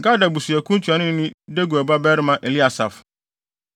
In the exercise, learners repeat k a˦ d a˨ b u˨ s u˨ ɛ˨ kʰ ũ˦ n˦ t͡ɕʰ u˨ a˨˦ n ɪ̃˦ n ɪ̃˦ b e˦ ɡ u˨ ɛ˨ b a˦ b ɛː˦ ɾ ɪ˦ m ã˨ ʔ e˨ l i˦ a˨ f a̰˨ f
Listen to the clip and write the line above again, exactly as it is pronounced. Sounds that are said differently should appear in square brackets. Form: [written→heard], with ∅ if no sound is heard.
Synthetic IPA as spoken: k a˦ d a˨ b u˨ s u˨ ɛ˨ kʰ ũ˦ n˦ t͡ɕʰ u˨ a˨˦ n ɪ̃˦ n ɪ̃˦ [b→d] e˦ ɡ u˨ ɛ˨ b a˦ b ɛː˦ ɾ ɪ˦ m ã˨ ʔ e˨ l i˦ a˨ [f→s] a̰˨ f